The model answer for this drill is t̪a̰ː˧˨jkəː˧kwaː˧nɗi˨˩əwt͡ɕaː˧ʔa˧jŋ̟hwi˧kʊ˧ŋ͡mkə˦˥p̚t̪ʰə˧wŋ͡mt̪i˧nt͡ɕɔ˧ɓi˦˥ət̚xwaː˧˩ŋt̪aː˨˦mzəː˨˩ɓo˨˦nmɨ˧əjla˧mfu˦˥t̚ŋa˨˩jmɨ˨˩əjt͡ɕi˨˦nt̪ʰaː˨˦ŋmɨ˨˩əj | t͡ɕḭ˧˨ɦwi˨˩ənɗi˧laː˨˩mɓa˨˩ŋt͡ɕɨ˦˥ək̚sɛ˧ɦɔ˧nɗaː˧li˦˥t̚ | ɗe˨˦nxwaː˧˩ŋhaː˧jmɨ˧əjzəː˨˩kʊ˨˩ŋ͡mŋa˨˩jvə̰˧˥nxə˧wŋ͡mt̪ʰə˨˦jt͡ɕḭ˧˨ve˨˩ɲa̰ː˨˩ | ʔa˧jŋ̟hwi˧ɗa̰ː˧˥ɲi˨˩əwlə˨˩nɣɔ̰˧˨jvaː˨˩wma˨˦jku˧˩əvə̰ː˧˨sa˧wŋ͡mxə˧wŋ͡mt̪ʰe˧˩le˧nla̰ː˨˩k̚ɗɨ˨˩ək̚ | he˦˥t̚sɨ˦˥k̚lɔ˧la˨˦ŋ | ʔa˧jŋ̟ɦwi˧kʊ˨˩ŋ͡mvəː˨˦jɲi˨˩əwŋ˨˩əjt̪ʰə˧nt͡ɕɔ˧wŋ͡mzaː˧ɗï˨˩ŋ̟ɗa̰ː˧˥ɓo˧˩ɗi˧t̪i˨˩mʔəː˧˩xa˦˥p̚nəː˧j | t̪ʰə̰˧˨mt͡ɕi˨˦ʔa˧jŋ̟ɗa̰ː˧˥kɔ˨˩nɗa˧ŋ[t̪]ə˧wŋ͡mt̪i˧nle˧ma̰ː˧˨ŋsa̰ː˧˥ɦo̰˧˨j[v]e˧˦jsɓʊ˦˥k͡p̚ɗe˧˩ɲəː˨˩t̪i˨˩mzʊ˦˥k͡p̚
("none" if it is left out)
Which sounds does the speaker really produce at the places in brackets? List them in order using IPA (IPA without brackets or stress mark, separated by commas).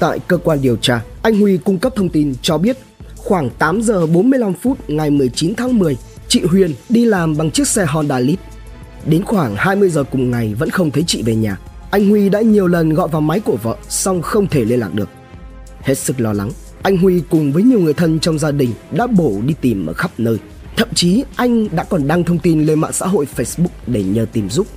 t̪ʰ, f